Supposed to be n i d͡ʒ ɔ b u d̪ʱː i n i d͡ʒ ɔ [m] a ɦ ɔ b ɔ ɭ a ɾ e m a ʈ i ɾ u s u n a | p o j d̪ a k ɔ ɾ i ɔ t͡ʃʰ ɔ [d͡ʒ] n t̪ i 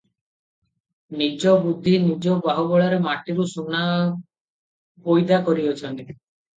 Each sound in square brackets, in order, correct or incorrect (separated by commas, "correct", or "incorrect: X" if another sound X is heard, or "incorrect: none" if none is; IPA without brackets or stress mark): incorrect: b, incorrect: none